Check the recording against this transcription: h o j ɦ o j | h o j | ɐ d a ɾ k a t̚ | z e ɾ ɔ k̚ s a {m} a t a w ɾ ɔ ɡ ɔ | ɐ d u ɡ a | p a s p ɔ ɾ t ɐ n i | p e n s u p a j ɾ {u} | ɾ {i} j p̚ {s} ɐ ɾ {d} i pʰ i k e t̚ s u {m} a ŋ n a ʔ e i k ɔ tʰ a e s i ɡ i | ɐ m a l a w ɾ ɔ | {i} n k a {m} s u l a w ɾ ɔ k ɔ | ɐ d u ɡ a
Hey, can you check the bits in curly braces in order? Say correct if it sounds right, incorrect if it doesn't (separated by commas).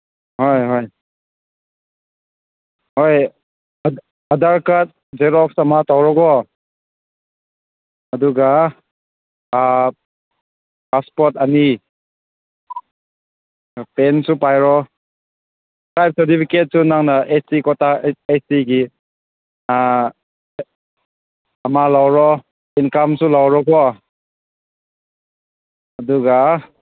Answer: correct, incorrect, incorrect, correct, incorrect, incorrect, correct, correct